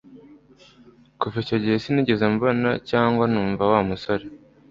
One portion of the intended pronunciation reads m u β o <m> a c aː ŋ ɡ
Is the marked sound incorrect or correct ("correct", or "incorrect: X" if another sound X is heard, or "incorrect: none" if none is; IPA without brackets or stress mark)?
incorrect: n